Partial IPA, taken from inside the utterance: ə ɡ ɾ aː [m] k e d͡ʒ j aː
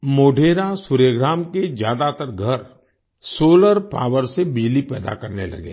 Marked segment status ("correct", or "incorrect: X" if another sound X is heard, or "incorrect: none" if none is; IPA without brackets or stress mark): correct